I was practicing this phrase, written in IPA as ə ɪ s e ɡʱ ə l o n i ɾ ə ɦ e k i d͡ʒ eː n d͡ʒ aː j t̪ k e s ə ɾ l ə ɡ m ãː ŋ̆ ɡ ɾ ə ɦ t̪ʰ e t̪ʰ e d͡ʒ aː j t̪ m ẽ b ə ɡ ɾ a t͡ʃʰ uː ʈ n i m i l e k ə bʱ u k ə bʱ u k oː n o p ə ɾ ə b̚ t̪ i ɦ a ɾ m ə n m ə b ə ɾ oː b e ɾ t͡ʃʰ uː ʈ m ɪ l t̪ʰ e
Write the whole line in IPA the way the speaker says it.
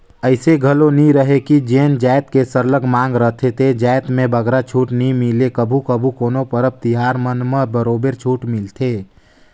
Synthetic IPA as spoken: ə ɪ s e ɡʱ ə l o n i ɾ ə ɦ e k i d͡ʒ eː n d͡ʒ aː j t̪ k e s ə ɾ l ə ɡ m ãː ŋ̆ ɡ ɾ ə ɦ t̪ʰ e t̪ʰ e d͡ʒ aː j t̪ m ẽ b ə ɡ ɾ a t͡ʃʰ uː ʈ n i m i l e k ə bʱ u k ə bʱ u k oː n o p ə ɾ ə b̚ t̪ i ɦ a ɾ m ə n m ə b ə ɾ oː b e ɾ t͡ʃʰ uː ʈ m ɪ l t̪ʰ e